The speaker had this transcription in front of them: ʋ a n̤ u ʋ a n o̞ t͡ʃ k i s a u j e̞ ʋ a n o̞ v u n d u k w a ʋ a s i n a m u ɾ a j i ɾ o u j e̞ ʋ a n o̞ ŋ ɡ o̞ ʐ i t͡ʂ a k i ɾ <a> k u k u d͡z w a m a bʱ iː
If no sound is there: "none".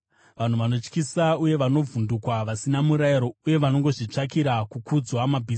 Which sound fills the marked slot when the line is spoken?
a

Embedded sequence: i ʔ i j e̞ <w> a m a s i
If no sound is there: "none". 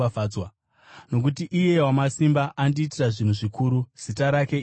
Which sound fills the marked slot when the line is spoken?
w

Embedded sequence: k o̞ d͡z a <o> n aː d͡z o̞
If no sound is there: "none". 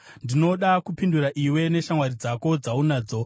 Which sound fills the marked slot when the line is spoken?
u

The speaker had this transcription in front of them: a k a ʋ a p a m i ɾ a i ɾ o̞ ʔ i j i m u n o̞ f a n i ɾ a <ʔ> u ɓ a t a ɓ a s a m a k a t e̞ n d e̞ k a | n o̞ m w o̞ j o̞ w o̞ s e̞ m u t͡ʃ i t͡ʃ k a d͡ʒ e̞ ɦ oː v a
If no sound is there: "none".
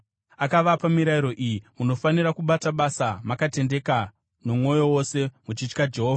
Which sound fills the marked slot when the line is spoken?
k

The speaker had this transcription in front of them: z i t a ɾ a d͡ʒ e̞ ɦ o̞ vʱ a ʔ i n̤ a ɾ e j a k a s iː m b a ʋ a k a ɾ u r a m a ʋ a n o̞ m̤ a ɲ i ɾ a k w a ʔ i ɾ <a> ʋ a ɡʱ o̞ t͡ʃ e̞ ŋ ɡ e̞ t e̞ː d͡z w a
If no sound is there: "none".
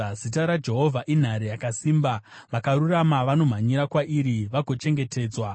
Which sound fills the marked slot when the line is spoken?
i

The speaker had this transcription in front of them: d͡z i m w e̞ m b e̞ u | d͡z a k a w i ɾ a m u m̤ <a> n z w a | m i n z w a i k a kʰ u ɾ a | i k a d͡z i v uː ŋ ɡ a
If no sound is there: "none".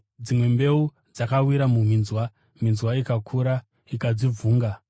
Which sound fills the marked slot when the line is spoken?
i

